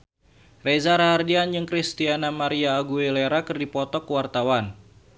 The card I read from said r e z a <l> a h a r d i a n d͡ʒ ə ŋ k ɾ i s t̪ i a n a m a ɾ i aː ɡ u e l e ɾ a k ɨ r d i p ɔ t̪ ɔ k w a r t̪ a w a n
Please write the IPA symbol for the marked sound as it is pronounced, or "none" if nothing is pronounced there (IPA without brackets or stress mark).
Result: ɾ